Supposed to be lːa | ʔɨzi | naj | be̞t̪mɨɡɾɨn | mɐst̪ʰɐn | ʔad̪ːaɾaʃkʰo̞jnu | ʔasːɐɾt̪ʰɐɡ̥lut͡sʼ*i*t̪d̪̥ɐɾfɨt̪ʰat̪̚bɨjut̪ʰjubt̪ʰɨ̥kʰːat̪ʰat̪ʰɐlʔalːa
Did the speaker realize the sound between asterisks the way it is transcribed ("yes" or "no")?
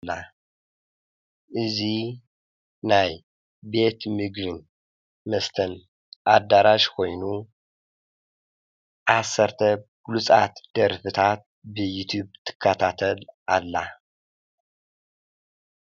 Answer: no